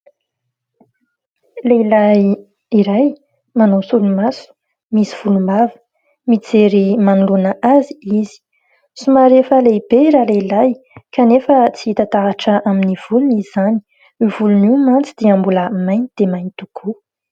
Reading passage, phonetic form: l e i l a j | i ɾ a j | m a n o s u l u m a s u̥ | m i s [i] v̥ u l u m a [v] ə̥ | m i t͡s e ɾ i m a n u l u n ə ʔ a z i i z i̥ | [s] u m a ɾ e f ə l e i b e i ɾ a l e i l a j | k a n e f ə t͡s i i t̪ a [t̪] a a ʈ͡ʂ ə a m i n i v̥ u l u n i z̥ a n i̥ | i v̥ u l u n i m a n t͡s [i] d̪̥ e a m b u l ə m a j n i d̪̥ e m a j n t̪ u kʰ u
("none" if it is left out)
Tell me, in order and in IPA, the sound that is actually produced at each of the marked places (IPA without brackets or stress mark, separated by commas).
i, v, s, t̪, i